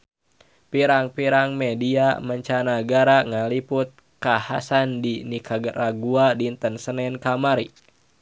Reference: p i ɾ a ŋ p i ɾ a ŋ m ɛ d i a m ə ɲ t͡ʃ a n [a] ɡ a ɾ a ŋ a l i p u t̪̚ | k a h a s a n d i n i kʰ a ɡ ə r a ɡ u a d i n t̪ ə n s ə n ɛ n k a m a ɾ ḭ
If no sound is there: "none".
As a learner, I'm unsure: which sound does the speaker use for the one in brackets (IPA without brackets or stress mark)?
a